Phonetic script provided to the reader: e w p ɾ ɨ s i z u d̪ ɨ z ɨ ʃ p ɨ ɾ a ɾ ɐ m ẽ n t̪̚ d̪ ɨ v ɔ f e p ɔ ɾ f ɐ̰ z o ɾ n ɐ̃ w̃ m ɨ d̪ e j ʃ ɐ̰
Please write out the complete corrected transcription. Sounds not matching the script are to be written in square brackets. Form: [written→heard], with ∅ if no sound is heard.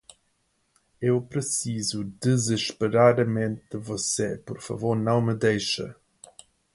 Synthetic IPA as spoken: e w p ɾ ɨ s i z u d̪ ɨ z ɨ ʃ p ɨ ɾ a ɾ ɐ m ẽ n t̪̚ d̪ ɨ v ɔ [f→s] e p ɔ ɾ f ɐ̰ [z→v] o ɾ n ɐ̃ w̃ m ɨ d̪ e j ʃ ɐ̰